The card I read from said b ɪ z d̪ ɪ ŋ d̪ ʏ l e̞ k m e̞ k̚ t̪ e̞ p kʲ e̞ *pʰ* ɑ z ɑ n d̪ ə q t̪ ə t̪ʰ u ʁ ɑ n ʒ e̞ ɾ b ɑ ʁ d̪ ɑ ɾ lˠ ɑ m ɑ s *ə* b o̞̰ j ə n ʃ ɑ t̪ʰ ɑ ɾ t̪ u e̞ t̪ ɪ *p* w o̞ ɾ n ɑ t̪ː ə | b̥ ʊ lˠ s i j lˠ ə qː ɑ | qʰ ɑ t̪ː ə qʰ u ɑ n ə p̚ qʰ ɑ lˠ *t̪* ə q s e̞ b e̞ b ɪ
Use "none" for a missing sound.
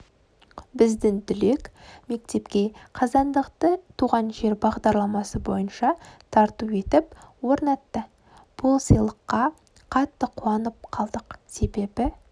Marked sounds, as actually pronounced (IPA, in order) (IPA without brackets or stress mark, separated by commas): qʰ, ə, p, d̪